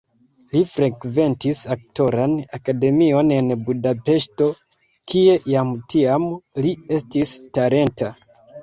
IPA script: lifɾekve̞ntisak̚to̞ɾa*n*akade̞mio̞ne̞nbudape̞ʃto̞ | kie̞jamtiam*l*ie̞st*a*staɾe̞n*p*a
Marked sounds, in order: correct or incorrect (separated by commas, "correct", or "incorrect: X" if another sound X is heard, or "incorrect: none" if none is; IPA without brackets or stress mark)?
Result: correct, correct, incorrect: i, incorrect: t